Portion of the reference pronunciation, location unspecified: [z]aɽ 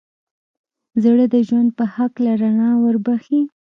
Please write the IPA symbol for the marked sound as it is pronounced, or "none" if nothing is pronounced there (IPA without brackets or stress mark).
z